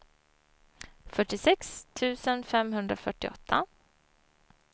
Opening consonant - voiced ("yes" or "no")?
no